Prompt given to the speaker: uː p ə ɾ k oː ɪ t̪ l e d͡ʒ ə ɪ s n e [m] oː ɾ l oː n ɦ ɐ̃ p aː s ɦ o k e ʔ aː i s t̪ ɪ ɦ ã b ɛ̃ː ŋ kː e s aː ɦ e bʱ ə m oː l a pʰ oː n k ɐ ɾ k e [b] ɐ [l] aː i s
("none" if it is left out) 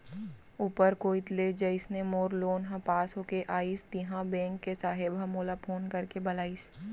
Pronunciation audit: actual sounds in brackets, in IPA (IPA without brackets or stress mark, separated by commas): m, b, l